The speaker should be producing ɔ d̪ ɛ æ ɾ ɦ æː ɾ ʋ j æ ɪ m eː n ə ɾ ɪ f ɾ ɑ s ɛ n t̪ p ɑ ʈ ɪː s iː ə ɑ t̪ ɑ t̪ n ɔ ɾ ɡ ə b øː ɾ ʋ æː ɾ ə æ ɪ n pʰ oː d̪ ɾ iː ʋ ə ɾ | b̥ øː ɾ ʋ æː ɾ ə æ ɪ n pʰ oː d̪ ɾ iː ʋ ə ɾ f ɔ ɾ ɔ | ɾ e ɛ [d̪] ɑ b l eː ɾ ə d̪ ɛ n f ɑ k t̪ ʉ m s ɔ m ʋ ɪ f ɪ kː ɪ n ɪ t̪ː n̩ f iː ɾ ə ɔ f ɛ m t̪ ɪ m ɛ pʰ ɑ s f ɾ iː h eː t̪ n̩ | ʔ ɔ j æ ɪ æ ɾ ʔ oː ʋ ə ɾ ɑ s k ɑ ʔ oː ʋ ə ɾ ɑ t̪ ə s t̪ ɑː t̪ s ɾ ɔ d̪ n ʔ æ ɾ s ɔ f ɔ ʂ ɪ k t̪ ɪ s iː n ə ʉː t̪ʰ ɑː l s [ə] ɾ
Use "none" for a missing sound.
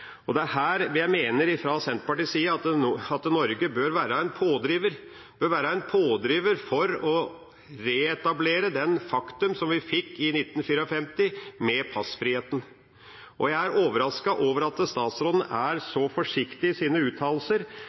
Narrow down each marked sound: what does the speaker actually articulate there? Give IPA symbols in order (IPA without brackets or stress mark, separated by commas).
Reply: t̪, ə